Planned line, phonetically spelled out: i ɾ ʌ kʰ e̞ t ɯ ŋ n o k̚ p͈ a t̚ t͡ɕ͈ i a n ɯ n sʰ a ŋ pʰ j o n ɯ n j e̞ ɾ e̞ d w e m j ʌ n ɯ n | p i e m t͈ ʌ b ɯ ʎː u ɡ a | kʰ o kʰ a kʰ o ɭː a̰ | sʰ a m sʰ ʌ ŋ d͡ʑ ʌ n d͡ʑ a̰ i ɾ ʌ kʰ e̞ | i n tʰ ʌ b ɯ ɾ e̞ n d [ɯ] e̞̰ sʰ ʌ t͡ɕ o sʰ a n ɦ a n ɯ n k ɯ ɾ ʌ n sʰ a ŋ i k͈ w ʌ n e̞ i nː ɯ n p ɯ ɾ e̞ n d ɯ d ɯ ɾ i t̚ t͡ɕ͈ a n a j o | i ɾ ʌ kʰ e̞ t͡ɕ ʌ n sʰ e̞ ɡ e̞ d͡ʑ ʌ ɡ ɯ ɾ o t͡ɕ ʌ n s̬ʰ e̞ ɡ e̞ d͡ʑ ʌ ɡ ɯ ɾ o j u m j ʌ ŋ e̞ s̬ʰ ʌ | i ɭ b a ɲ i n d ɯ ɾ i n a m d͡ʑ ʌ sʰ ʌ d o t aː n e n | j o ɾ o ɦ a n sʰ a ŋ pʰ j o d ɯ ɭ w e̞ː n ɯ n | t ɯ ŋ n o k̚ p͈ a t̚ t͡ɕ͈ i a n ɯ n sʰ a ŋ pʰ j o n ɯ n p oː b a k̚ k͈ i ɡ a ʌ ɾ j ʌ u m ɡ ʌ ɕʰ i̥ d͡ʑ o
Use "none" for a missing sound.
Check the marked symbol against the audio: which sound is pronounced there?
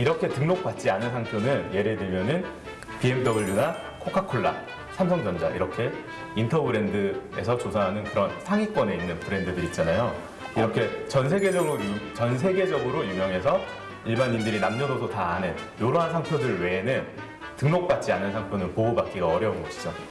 ɯ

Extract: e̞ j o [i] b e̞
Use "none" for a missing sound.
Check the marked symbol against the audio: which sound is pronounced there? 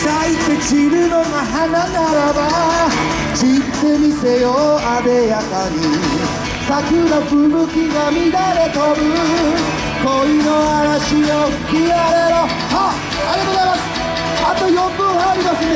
a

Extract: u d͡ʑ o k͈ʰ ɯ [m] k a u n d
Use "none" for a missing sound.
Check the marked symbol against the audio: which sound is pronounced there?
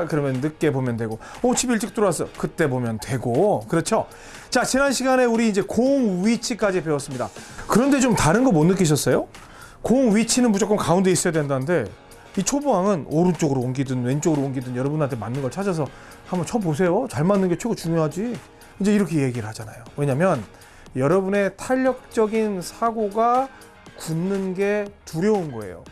m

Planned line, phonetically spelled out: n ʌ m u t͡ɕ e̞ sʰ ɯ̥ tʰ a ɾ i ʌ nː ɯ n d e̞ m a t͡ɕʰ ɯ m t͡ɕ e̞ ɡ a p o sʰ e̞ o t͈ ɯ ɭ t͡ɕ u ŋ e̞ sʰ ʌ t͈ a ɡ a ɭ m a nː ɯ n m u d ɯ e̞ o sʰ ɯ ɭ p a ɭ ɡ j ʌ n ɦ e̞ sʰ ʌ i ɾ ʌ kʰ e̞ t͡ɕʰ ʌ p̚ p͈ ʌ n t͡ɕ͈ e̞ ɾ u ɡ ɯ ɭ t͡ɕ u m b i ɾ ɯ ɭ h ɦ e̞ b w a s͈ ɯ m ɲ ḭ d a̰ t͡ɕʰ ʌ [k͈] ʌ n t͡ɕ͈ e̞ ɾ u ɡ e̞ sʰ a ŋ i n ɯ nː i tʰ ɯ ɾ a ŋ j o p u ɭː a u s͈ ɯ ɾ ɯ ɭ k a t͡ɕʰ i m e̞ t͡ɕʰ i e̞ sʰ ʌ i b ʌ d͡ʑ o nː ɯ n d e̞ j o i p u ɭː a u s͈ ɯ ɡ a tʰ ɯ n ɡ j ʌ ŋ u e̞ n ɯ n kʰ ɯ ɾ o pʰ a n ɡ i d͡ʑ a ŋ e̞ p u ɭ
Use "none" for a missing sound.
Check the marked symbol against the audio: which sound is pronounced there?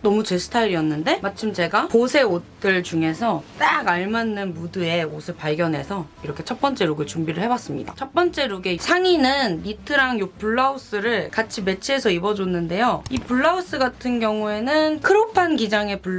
p͈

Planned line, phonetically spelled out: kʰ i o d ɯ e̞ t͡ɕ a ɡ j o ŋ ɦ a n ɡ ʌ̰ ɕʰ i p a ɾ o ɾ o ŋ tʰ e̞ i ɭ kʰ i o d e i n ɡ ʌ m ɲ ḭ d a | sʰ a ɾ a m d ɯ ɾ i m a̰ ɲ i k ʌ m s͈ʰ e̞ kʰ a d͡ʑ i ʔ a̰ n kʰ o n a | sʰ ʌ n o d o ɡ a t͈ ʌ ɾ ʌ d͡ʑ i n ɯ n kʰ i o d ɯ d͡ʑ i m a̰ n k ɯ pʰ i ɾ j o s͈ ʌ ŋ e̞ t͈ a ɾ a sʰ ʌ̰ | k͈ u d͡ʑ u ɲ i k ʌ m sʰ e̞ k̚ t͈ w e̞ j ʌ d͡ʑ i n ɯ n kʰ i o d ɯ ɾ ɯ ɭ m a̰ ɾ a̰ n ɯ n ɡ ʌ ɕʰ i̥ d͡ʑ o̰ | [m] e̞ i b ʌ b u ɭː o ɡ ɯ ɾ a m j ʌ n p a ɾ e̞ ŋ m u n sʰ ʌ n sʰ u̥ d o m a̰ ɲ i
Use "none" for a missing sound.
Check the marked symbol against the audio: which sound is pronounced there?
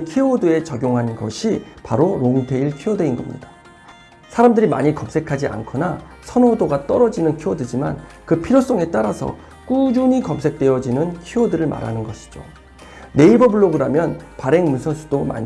n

